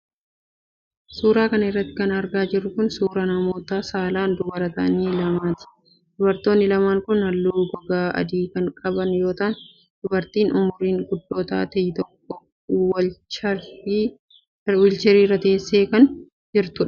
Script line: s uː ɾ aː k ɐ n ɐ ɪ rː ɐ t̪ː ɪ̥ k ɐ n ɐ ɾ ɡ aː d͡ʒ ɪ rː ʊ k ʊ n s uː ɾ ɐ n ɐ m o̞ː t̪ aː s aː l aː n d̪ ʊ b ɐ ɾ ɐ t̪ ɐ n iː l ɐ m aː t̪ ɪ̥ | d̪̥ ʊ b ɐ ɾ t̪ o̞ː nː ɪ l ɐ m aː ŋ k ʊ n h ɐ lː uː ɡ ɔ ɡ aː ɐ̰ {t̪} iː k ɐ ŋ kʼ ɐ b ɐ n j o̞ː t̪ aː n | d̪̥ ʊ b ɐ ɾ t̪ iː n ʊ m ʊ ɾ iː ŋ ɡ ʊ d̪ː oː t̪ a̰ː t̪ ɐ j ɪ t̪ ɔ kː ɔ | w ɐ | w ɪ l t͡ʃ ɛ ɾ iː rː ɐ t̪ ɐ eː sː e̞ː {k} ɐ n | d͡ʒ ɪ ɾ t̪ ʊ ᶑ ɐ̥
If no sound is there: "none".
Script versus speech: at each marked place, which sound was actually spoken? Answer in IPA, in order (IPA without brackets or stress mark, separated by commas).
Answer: d̪, k